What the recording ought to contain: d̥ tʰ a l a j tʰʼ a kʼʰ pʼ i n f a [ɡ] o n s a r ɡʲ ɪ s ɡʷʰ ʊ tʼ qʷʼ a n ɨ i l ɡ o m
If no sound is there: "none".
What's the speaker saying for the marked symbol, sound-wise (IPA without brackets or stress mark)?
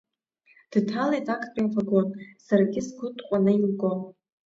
ɡ